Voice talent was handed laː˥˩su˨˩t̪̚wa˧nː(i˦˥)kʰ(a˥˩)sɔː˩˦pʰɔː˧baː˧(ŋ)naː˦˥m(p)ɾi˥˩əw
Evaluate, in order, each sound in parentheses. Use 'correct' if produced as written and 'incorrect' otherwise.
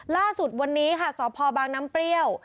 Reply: incorrect, correct, correct, correct

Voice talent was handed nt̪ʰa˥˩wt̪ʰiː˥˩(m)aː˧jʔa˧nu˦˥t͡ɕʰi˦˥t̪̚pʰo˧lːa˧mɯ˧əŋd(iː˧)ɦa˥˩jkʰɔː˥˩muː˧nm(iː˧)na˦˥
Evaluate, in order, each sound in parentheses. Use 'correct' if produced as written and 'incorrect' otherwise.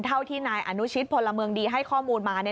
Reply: incorrect, correct, incorrect

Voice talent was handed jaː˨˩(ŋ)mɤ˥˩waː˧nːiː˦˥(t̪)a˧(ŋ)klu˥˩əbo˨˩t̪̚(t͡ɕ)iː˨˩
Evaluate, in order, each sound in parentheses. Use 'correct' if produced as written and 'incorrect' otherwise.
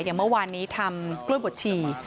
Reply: correct, incorrect, incorrect, incorrect

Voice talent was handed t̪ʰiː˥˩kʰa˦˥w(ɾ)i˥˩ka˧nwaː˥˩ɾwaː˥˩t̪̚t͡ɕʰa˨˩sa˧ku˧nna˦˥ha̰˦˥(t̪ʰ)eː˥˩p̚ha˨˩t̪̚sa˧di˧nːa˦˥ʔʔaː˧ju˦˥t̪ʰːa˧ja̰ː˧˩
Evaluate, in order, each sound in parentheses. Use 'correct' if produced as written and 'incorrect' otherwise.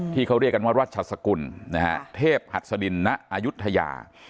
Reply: correct, correct

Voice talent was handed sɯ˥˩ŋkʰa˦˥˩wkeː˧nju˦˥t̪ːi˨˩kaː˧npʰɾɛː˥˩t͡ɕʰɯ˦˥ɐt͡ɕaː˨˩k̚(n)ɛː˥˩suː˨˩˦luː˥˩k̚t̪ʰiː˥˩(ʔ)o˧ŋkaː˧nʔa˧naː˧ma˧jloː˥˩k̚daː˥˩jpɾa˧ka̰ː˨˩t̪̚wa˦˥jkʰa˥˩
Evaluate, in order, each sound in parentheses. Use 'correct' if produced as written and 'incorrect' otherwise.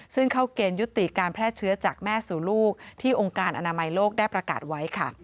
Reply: incorrect, correct

